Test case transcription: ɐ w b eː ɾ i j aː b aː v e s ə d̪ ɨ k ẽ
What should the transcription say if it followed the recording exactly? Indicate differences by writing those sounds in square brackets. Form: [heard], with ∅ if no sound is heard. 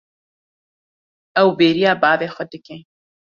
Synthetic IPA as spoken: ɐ w b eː ɾ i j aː b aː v e [x] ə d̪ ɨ k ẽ

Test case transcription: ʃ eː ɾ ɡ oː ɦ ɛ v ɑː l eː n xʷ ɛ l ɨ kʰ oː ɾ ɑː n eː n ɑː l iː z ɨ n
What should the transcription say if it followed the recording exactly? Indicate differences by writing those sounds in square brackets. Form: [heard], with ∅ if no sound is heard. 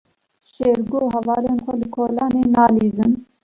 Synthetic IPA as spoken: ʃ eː ɾ ɡ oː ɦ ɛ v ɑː l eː n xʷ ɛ l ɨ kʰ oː [l] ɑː n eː n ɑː l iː z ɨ n

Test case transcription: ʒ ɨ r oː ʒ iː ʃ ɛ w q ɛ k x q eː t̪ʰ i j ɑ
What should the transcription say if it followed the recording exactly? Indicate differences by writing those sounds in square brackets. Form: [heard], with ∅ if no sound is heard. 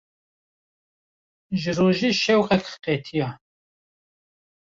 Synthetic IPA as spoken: ʒ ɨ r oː ʒ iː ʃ ɛ w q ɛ k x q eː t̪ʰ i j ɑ

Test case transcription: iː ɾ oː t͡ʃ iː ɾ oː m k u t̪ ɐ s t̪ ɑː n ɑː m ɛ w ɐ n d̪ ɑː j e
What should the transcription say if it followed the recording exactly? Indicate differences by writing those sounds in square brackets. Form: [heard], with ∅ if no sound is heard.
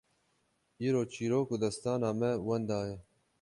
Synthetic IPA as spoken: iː ɾ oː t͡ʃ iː ɾ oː [∅] k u [d̪] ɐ s t̪ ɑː n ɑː m ɛ w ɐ n d̪ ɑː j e

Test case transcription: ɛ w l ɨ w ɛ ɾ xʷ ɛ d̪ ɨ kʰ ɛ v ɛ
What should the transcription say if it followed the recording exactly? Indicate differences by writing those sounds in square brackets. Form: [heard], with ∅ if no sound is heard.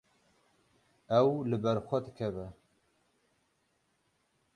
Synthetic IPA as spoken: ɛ w l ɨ [b] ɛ ɾ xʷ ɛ d̪ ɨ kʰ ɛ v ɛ

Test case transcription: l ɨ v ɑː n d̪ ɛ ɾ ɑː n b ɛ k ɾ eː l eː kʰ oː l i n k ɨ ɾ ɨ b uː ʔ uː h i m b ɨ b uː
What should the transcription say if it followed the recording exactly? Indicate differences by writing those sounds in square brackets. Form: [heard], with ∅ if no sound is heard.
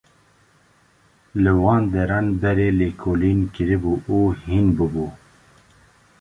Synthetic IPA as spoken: l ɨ [w] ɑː n d̪ ɛ ɾ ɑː n b ɛ [∅] ɾ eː l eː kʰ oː l i n k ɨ ɾ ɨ b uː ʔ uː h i [n] b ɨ b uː

